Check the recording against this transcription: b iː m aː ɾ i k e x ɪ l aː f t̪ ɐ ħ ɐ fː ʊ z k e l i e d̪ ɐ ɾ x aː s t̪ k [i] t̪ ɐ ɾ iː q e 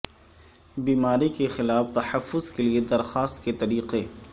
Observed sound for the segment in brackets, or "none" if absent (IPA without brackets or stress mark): e